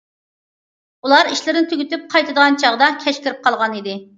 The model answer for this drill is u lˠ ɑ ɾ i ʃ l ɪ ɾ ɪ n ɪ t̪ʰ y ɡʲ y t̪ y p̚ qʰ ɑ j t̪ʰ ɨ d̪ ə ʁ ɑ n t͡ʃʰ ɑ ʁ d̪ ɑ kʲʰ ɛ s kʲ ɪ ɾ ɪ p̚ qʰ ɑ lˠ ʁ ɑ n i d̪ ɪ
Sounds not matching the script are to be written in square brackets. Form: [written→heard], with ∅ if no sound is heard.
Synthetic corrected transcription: u lˠ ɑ ɾ i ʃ l ɪ ɾ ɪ n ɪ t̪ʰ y ɡʲ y t̪ y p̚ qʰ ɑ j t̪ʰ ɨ d̪ ə ʁ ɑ n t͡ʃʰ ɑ ʁ d̪ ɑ kʲʰ ɛ [s→ʃ] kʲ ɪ ɾ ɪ p̚ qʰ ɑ lˠ ʁ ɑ n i d̪ ɪ